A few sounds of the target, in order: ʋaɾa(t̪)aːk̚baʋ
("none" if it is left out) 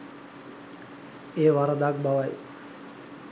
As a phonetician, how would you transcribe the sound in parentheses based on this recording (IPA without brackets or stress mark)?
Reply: d̪